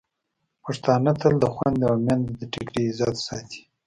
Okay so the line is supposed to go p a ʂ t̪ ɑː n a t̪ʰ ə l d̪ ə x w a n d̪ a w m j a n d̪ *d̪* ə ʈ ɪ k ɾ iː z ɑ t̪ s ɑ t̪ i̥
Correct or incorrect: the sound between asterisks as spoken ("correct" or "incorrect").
correct